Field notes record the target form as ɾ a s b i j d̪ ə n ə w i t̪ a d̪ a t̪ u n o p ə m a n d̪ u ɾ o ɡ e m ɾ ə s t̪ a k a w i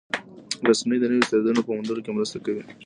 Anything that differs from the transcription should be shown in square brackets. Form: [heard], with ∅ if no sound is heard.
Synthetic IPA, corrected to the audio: ɾ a s [m] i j d̪ ə n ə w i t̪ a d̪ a [d̪] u n o p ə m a n d̪ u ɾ o [k] e m ɾ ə s t̪ a k a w i